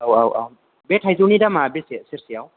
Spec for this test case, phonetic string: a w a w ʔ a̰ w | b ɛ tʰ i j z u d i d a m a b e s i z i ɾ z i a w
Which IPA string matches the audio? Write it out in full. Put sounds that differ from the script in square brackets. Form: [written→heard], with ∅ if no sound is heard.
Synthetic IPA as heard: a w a w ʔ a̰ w | b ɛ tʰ [i→a] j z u [d→n] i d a m a b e s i [z→s] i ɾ [z→s] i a w

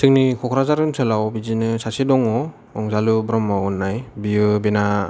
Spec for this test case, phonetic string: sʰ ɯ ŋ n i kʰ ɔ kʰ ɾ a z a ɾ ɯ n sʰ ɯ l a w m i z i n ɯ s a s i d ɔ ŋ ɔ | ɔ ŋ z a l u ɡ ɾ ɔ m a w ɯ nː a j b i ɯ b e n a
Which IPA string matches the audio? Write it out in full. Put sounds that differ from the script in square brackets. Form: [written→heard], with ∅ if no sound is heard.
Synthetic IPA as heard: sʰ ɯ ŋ n i kʰ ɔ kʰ ɾ a z a ɾ ɯ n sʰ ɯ l a w [m→b] i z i n ɯ s a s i d ɔ ŋ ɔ | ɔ ŋ z a l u [ɡ→b] ɾ ɔ m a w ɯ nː a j b i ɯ b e n a

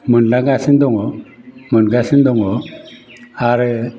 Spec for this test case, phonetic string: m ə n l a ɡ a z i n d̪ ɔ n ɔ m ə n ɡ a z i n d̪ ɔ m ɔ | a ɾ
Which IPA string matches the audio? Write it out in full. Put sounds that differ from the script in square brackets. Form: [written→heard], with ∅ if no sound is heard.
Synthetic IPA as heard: m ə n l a ɡ a [z→s] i n d̪ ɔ [n→ŋ] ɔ m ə n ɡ a [z→s] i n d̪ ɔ [m→ŋ] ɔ | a ɾ

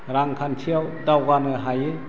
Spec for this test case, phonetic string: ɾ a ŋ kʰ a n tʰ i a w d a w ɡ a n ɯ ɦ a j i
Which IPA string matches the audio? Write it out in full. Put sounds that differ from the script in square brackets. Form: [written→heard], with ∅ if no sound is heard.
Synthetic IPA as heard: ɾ a ŋ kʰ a n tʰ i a w d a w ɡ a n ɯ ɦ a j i

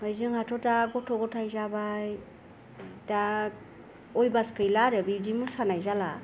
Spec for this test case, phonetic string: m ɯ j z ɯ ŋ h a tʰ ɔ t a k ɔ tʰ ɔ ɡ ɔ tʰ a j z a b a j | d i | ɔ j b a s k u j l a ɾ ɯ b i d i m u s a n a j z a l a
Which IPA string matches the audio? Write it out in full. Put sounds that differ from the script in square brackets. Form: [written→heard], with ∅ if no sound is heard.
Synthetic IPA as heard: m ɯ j z ɯ ŋ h a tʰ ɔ t a [k→ɡ] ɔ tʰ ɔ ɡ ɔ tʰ a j z a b a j | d [i→a] | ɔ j b a s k [u→ɯ] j l a ɾ ɯ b i d i m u s a n a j z a l a

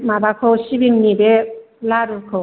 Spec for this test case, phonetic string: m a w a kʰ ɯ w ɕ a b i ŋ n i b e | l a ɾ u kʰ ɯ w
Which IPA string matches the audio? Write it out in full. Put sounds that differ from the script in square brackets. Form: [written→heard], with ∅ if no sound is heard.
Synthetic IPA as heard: m a [w→b] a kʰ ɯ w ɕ [a→i] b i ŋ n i b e | l a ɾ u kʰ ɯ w

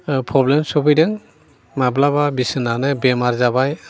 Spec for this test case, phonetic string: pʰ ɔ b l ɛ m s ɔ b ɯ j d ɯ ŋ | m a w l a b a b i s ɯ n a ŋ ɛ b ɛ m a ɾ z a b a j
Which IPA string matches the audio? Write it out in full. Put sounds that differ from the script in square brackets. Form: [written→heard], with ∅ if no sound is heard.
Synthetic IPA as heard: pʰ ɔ b l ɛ m s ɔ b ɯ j d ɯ ŋ | m a [w→b] l a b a b i s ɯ n a [ŋ→n] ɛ b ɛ m a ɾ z a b a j

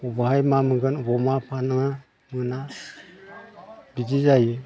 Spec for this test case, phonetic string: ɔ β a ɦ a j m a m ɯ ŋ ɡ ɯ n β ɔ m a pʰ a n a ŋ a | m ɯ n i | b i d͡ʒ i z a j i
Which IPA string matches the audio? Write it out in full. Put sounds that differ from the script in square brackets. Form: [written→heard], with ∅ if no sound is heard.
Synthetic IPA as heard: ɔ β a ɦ a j m a m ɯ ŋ ɡ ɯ n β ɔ m a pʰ a n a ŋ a | m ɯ n [i→a] | b i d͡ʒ i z a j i

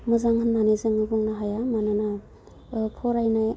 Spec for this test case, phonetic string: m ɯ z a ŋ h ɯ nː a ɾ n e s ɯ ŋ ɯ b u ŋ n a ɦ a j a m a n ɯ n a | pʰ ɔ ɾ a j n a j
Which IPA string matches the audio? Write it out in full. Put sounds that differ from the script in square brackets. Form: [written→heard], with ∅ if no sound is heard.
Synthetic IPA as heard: m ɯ z a ŋ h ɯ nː a [ɾ→∅] n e [s→z] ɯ ŋ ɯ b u ŋ n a ɦ a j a m a n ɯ n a | pʰ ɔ ɾ a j n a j

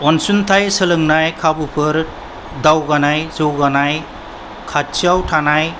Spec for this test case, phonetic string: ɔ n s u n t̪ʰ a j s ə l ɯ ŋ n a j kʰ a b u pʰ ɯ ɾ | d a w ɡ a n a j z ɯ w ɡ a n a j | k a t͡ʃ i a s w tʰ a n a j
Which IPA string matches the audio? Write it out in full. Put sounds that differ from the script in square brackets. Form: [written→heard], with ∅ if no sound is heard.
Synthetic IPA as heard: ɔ n s u n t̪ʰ a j s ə l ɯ ŋ n a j kʰ a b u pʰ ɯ ɾ | d a w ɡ a n a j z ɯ w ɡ a n a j | [k→kʰ] a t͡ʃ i a [s→∅] w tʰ a n a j

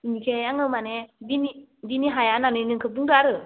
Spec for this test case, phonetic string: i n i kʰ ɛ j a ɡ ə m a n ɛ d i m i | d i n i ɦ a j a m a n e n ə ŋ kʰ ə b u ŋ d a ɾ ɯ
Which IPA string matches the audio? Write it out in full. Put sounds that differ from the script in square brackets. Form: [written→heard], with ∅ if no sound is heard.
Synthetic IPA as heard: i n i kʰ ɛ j a [ɡ→ŋ] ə m a n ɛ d i [m→n] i | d i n i ɦ a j a [m→n] a n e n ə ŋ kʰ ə b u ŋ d a ɾ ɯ

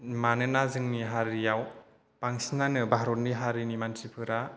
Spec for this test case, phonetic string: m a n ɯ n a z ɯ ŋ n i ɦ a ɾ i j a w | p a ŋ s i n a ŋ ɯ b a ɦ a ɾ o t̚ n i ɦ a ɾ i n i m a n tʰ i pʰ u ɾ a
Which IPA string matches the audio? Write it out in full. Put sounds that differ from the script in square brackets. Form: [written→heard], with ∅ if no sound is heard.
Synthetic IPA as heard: m a n ɯ n a z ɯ ŋ n i ɦ a ɾ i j a w | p a ŋ s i n a [ŋ→n] ɯ b a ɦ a ɾ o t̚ n i ɦ a ɾ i n i m a n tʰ i pʰ [u→ɯ] ɾ a

